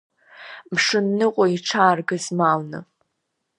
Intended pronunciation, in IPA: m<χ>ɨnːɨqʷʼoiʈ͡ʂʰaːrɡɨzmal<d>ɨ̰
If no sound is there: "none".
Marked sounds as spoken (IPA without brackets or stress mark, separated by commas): ʂ, n